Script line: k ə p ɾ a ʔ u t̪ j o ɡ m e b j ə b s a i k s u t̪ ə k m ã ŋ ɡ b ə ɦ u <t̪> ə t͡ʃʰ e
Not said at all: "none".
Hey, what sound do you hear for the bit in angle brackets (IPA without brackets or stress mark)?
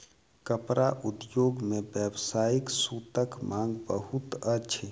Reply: t̪